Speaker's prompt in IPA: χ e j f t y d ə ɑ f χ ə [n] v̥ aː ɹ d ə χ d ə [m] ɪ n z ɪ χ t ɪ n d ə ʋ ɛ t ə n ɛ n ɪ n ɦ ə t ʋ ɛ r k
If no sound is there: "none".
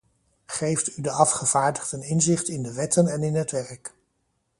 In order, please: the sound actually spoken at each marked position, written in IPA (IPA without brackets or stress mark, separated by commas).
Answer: none, n